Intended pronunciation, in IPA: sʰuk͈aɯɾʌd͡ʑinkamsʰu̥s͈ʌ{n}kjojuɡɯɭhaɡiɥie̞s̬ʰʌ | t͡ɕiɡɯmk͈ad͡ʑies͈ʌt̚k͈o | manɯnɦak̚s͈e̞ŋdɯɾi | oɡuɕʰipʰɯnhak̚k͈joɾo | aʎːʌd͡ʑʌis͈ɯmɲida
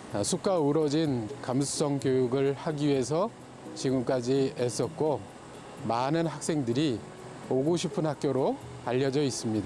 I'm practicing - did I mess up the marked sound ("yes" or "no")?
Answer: yes